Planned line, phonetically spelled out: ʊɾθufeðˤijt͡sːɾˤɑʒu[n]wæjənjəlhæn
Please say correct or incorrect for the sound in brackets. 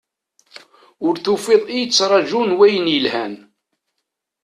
correct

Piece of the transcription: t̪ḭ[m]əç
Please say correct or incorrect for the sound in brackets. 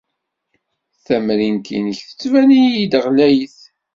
incorrect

